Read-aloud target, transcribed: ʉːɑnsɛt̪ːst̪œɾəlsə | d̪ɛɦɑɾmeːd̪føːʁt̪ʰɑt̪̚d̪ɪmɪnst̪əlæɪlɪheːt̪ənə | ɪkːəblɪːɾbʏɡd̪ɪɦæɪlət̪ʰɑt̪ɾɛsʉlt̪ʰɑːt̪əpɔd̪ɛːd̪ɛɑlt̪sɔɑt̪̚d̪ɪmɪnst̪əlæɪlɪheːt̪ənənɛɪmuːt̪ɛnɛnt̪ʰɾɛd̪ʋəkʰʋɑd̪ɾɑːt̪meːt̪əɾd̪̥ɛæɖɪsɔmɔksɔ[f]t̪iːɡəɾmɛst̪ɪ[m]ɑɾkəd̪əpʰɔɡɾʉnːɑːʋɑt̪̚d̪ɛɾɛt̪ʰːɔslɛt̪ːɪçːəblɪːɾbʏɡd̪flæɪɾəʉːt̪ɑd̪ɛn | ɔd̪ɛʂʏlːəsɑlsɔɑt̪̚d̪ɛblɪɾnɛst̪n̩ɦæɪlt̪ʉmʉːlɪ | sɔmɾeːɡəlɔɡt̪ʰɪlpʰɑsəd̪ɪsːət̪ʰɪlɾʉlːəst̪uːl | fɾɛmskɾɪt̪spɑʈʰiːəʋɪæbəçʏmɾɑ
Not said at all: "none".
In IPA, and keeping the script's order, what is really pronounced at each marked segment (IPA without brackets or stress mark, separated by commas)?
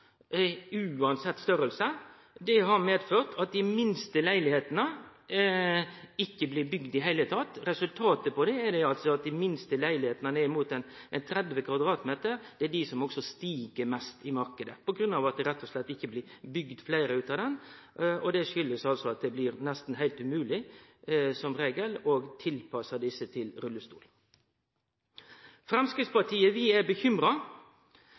s, m